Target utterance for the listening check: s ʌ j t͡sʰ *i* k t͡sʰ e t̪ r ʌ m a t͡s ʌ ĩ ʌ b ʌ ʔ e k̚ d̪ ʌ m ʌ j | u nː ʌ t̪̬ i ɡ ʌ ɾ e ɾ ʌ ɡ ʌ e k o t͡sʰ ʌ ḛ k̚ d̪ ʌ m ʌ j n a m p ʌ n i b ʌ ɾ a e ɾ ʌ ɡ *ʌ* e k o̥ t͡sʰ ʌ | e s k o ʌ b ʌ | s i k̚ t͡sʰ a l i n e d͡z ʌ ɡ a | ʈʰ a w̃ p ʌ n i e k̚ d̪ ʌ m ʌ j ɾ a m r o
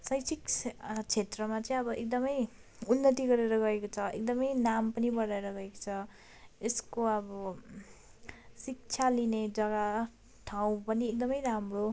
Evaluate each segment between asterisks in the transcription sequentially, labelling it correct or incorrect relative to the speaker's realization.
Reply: correct, correct

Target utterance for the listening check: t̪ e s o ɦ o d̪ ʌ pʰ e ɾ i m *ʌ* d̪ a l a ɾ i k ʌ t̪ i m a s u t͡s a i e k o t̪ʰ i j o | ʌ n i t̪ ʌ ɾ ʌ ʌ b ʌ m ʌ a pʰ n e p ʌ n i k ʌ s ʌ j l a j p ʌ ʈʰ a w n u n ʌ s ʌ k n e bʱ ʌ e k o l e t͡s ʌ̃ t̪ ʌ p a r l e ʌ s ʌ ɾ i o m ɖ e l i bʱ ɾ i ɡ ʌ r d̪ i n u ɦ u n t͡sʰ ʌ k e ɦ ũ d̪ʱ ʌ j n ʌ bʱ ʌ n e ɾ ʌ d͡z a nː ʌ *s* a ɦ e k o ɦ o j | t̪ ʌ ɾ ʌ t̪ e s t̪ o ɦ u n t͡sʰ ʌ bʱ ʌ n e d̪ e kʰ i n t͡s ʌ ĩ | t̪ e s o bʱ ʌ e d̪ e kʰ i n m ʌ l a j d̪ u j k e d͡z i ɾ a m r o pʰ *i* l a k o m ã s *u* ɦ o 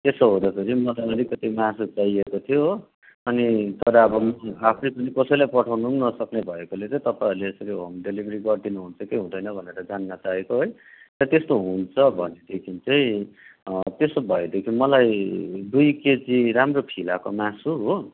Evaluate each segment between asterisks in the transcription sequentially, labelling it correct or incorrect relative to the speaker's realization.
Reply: correct, incorrect: t͡s, correct, correct

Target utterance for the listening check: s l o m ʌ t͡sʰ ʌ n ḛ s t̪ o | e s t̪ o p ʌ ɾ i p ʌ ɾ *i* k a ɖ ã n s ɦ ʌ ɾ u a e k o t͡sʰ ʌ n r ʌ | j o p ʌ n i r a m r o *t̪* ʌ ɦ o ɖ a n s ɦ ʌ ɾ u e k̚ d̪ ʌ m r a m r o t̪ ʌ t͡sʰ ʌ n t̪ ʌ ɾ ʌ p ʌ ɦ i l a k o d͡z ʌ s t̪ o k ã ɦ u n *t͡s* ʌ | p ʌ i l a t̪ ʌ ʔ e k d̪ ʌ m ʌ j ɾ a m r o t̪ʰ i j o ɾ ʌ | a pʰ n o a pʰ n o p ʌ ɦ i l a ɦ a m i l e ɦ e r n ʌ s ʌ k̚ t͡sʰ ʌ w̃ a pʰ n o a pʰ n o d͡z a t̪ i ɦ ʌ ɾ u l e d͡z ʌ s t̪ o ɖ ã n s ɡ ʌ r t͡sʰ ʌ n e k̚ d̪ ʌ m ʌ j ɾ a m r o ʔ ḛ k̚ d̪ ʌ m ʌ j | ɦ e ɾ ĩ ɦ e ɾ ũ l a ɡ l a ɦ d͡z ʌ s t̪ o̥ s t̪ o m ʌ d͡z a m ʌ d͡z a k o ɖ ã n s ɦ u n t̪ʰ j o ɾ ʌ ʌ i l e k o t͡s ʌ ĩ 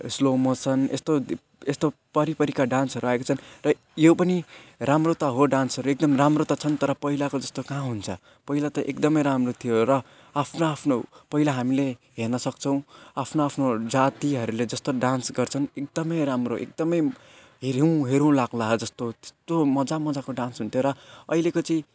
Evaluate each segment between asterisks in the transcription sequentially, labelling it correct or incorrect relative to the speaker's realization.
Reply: correct, correct, incorrect: t͡sʰ

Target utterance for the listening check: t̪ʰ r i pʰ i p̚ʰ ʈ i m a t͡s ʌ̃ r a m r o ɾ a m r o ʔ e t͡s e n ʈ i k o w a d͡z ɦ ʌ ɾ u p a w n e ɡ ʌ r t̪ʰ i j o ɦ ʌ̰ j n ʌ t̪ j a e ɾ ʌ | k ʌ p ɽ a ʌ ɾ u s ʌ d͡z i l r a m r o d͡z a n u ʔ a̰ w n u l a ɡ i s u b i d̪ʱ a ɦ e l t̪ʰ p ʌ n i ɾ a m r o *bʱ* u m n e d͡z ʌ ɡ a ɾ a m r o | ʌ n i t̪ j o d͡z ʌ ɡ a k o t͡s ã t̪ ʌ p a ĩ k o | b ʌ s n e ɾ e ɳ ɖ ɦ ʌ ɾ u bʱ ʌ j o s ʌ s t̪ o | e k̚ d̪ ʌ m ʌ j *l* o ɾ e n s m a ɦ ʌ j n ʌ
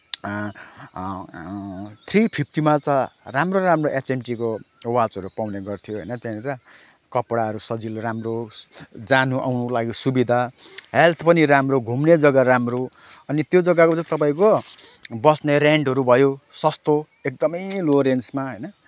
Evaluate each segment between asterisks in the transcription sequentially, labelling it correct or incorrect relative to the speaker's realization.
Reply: incorrect: ɡʱ, correct

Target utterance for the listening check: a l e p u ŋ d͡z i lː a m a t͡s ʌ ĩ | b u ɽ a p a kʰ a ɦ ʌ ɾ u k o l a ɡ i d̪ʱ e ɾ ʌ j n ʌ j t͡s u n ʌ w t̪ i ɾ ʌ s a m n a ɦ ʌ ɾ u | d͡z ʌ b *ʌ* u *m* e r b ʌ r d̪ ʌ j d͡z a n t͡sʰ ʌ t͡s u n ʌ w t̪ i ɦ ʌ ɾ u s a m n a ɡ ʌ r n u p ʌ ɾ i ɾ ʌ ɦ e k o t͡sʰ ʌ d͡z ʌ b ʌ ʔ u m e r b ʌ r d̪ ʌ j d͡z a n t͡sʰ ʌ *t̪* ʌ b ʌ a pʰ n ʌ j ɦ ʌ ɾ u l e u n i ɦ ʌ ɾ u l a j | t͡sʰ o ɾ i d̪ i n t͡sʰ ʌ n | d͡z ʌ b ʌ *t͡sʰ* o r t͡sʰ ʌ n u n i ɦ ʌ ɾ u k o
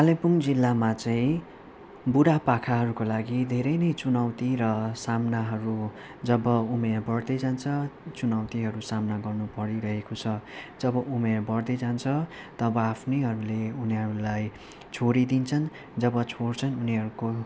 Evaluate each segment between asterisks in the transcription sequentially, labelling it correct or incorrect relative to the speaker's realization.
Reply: correct, correct, correct, correct

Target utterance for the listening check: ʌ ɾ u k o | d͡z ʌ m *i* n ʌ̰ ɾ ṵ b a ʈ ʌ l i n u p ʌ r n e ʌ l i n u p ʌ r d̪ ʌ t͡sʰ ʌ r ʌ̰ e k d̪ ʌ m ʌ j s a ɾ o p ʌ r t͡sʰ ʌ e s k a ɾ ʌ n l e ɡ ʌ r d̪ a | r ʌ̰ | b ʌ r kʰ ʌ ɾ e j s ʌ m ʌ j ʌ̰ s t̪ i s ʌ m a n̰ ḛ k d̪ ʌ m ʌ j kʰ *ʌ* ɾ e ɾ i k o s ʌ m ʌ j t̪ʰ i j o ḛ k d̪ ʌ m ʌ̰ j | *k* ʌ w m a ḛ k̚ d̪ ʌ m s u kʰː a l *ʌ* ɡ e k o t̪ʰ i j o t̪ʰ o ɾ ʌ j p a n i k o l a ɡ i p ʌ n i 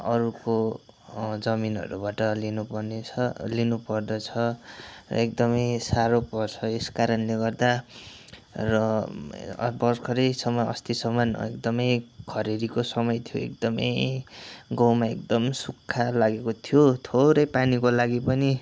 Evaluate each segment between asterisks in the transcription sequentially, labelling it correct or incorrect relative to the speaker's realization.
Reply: correct, correct, incorrect: ɡ, incorrect: a

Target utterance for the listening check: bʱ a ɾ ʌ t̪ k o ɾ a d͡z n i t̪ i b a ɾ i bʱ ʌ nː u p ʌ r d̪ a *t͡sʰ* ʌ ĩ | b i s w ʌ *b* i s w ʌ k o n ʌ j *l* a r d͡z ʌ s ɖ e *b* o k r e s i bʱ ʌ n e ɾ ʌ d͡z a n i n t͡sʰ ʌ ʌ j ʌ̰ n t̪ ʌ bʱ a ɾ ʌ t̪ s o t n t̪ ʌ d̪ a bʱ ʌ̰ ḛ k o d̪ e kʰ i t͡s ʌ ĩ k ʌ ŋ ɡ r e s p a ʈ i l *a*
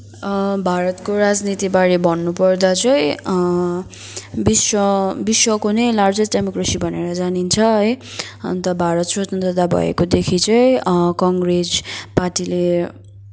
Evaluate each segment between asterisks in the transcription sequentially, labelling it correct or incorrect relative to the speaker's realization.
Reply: incorrect: t͡s, correct, correct, incorrect: m, incorrect: e

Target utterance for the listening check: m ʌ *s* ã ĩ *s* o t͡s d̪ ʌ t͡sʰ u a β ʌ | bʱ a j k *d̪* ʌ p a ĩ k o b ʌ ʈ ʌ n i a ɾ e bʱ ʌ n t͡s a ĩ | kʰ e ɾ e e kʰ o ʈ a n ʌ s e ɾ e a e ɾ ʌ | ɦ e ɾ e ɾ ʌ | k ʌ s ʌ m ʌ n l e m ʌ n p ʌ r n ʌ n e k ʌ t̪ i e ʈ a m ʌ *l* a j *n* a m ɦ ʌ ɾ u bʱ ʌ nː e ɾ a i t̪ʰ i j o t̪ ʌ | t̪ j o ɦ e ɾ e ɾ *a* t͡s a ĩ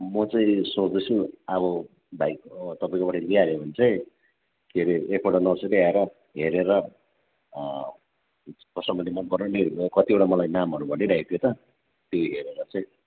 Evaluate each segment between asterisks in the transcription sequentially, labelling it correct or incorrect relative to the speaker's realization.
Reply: incorrect: t͡s, correct, incorrect: t̪, correct, correct, incorrect: ʌ

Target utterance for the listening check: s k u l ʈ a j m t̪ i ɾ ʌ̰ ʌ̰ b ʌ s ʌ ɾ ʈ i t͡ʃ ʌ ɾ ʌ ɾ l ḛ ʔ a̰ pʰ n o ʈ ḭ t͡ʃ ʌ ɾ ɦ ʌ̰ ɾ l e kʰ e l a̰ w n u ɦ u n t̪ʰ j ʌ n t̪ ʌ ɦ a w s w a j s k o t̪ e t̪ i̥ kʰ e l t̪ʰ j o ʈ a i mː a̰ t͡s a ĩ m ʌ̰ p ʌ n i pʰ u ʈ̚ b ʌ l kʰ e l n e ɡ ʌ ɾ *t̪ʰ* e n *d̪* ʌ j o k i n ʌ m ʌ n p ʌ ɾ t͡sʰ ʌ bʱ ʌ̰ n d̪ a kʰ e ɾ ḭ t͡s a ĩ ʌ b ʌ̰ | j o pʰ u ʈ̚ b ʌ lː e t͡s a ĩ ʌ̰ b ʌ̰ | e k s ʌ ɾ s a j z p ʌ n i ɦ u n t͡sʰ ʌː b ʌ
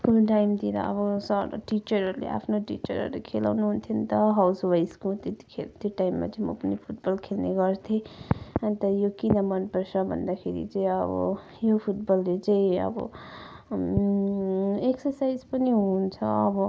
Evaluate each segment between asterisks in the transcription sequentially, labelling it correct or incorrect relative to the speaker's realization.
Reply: correct, incorrect: t̪

